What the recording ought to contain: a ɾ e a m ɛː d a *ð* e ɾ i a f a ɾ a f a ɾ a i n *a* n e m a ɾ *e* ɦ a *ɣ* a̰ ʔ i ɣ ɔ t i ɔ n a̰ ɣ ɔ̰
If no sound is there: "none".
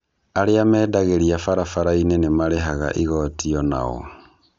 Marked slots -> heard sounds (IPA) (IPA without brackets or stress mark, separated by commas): ɣ, e, e, ɣ